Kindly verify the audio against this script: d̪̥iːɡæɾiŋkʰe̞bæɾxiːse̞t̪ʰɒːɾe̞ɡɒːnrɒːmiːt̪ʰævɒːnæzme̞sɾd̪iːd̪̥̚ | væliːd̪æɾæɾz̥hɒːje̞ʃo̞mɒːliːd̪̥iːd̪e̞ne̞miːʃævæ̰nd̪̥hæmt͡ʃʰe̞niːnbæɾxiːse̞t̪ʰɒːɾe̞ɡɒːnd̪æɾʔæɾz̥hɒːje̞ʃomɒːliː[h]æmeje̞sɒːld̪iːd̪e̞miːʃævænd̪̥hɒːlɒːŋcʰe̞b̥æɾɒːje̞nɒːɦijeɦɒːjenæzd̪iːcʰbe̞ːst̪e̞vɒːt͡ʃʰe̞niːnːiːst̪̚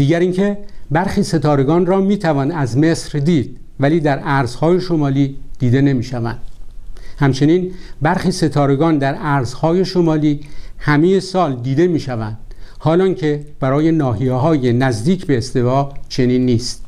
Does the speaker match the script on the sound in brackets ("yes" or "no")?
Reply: yes